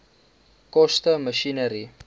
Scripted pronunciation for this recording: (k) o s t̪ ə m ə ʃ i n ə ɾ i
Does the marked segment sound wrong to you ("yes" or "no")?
no